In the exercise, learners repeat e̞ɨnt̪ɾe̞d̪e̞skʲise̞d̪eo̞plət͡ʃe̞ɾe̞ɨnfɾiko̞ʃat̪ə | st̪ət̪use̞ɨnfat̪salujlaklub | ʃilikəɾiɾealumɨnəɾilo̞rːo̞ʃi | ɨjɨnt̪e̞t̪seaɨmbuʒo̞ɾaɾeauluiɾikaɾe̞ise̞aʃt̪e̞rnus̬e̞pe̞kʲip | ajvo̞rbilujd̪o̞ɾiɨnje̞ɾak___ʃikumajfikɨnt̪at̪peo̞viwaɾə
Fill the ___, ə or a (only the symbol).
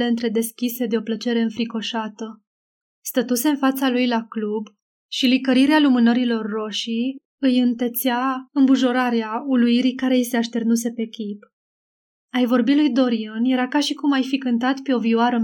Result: a